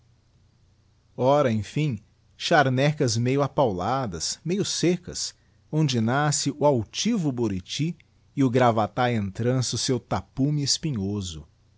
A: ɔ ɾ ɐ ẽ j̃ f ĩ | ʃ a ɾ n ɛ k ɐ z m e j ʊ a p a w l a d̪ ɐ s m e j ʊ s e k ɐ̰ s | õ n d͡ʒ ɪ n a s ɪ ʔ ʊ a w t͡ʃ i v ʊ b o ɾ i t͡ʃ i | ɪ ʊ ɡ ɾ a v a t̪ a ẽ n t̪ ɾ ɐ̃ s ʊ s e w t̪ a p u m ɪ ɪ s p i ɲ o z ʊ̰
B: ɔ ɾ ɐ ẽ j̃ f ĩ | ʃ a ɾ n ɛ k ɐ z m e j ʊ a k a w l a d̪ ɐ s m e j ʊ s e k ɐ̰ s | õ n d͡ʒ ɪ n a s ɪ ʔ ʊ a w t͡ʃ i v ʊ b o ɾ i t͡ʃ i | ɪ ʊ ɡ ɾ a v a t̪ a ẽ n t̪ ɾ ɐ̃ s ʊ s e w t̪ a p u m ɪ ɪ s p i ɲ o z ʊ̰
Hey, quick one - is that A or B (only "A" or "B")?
A